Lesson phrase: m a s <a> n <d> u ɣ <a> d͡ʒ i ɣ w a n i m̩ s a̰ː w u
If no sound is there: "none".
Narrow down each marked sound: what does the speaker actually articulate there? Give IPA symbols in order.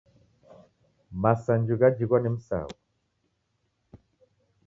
a, d͡ʒ, a

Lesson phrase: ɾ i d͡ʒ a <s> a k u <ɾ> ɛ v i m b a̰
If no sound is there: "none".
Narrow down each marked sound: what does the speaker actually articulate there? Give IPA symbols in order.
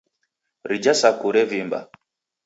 s, ɾ

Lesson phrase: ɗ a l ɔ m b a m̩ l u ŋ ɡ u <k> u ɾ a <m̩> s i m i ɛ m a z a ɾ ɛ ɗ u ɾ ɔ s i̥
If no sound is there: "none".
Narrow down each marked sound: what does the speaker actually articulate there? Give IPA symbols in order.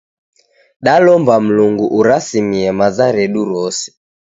ʔ, none

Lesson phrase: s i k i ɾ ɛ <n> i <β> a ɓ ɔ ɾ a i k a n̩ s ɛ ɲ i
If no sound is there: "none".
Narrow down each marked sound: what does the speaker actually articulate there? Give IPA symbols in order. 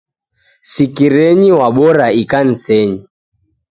ɲ, w

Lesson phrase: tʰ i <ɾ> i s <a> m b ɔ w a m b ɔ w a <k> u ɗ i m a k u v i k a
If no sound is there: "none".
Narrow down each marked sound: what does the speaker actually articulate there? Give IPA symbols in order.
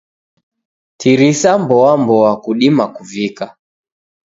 ɾ, a, k

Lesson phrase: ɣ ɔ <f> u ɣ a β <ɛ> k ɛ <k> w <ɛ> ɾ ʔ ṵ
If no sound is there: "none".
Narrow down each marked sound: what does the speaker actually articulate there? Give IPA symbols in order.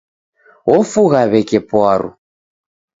f, ɛ, p, a

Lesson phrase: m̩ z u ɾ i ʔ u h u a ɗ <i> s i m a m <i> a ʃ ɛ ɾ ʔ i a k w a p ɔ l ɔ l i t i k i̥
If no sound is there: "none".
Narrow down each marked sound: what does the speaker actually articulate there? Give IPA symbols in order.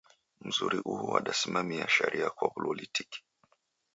a, i

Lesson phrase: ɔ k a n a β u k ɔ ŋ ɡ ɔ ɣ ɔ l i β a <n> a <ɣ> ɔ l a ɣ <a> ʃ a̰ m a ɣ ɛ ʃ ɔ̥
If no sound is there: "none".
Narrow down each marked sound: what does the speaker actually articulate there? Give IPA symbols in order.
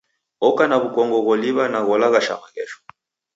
n, ɣ, a

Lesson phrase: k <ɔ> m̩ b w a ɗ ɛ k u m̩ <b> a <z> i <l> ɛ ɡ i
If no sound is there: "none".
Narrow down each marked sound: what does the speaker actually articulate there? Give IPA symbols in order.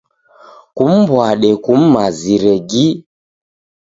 u, m, z, ɾ

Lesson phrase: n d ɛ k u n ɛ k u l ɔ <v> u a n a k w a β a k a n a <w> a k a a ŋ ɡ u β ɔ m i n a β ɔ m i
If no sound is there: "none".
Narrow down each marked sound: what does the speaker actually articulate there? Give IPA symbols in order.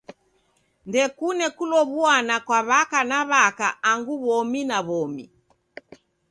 β, β

